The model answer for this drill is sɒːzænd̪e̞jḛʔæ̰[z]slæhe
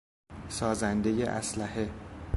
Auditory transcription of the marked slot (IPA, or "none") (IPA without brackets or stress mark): none